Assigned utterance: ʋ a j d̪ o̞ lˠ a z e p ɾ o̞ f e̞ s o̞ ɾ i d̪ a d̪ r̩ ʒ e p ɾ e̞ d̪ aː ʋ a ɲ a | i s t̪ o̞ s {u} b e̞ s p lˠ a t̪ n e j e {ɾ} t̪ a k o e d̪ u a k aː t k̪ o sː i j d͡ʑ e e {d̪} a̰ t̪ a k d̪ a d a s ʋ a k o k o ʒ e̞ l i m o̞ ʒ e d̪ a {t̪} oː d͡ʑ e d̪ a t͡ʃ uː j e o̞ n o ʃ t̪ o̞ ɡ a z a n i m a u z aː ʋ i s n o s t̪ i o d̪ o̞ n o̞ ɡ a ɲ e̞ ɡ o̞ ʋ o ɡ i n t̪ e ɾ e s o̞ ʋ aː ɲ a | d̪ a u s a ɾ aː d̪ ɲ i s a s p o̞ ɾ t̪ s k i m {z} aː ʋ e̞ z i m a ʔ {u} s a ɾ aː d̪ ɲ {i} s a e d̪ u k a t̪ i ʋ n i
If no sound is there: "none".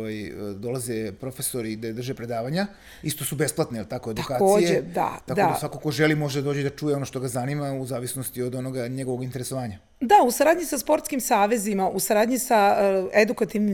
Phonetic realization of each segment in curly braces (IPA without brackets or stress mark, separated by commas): u, l, d̪, d̪, s, u, i